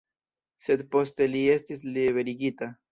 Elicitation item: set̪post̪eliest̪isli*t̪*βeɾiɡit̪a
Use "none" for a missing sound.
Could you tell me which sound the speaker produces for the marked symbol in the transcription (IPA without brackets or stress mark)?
none